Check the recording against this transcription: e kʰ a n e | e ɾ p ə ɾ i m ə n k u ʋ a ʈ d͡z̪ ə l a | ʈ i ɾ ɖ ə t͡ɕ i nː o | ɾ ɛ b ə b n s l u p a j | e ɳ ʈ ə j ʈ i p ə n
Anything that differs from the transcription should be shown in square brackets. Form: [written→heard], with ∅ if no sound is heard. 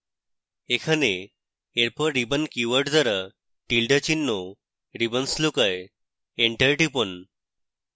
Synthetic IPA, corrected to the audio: e kʰ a n e | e ɾ p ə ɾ i [m→b] ə n k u ʋ [a→ə] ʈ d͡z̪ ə [l→ɾ] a | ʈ i [ɾ→l] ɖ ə t͡ɕ i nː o | ɾ [ɛ→i] b ə [b→∅] n s l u [p→k] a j | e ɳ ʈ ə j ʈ i p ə n